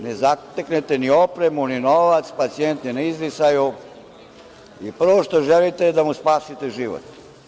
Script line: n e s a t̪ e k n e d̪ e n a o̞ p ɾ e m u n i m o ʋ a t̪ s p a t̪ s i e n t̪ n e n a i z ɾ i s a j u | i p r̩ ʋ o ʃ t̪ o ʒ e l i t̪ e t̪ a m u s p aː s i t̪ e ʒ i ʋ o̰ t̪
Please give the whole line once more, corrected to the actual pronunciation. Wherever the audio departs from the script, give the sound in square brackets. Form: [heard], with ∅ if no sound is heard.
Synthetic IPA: n e [z] a t̪ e k n e [t̪] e n [i] o̞ p ɾ e m u n i [n] o ʋ a t̪ s p a t̪ s i e n t̪ n [i] n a i z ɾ i s a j u | i p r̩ ʋ o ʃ t̪ o ʒ e l i t̪ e [d̪] a m u s p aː s i t̪ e ʒ i ʋ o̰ t̪

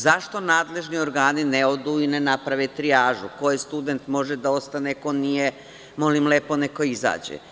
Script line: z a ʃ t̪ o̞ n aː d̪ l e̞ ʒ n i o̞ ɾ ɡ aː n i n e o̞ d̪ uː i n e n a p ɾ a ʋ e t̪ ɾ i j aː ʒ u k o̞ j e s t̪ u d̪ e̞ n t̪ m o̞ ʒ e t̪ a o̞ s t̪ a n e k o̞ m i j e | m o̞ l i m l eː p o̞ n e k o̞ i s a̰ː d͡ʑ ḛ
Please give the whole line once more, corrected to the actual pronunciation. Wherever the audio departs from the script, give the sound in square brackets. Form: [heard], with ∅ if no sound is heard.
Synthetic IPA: z a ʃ t̪ o̞ n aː d̪ l e̞ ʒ n i o̞ ɾ ɡ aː n i n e o̞ d̪ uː i n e n a p ɾ a ʋ e t̪ ɾ i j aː ʒ u k o̞ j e s t̪ u d̪ e̞ n t̪ m o̞ ʒ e [d̪] a o̞ s t̪ a n e k o̞ [n] i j e | m o̞ l i m l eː p o̞ n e k o̞ i [z] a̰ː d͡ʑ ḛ

